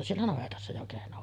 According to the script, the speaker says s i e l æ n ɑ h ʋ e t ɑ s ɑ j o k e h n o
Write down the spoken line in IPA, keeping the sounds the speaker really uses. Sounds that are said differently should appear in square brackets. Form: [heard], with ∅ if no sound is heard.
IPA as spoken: s i e [lː] æ n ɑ [∅] ʋ e t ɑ [sː] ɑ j o k e h n o